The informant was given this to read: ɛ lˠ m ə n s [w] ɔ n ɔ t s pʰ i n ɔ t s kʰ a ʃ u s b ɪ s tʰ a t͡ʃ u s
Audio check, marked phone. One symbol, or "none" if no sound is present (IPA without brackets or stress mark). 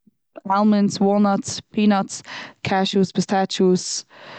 w